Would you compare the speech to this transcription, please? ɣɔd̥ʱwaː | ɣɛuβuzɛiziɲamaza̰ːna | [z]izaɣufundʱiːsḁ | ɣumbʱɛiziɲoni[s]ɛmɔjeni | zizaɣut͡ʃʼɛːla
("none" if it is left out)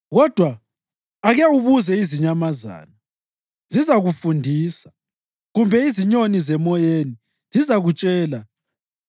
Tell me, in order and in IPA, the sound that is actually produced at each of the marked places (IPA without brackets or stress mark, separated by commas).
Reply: z, z